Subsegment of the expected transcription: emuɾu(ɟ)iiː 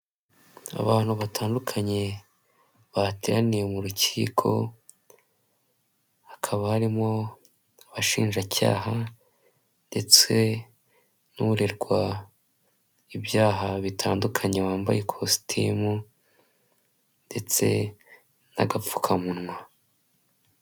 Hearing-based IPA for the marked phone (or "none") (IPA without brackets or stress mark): c